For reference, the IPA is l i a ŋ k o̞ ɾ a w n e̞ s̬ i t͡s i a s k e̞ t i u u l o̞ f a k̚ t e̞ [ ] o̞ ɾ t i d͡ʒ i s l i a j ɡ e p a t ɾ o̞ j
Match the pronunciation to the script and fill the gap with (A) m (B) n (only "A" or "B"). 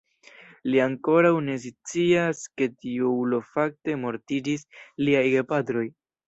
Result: A